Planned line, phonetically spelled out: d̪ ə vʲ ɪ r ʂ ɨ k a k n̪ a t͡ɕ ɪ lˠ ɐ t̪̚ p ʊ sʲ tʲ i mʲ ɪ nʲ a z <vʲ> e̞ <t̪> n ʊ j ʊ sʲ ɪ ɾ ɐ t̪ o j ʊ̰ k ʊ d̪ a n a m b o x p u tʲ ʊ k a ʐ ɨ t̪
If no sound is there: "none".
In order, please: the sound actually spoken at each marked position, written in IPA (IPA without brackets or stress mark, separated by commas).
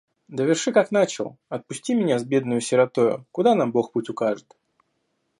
bʲ, d̪